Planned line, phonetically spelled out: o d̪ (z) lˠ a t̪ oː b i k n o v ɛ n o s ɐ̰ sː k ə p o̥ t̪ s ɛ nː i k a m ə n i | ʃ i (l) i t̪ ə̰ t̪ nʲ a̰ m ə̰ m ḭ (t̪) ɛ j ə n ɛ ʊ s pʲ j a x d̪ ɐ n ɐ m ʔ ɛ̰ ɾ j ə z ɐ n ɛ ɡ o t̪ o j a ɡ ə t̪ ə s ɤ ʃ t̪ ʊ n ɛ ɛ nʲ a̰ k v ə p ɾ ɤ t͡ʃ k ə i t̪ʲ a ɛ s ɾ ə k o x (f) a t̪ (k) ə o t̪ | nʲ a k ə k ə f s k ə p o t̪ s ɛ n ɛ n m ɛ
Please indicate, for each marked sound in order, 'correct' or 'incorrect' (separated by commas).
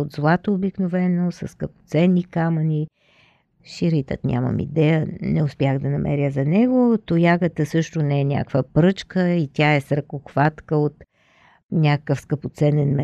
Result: correct, incorrect, incorrect, incorrect, correct